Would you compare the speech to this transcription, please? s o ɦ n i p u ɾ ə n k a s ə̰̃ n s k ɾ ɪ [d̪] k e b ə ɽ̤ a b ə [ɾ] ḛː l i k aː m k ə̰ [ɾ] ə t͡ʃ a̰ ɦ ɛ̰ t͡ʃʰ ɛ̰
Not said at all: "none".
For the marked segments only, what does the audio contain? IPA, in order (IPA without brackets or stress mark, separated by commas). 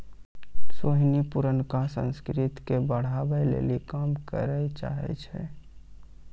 t̪, l, ɾ